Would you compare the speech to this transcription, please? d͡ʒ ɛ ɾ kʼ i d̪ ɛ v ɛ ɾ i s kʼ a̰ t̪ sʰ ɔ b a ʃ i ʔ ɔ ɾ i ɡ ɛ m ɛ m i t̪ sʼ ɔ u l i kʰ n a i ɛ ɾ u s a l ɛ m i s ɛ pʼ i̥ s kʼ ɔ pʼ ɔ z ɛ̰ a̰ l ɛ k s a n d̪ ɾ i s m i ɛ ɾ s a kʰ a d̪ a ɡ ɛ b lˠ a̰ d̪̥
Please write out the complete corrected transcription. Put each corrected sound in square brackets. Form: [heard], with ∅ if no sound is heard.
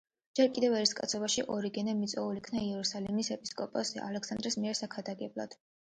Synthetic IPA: d͡ʒ ɛ ɾ kʼ i d̪ ɛ v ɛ ɾ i s kʼ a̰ t̪ sʰ ɔ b a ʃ i ʔ ɔ ɾ i ɡ ɛ [n] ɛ m i t̪ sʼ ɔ u l i kʰ n a i ɛ ɾ u s a l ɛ m i s ɛ pʼ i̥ s kʼ ɔ pʼ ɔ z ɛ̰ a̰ l ɛ k s a n d̪ ɾ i s m i ɛ ɾ s a kʰ a d̪ a ɡ ɛ b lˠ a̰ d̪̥